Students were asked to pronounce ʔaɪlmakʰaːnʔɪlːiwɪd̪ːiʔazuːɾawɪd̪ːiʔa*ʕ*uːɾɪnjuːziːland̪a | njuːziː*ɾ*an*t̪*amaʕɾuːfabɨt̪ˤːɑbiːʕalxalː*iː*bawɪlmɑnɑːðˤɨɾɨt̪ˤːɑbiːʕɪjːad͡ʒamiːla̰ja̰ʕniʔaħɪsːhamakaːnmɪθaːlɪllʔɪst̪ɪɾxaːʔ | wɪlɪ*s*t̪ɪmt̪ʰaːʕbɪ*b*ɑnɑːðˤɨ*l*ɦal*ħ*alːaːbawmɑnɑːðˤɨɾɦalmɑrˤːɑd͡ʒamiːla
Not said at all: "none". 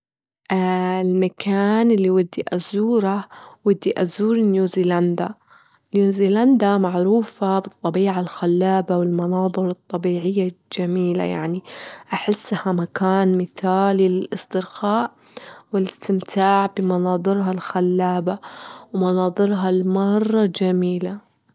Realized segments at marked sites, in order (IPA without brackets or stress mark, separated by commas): z, l, d̪, aː, s, m, ɾ, x